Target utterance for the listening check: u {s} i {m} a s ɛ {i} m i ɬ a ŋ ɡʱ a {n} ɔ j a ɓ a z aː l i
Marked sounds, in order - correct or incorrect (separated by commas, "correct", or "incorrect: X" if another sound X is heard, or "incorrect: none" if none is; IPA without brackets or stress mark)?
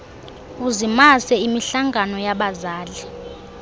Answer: incorrect: z, correct, correct, correct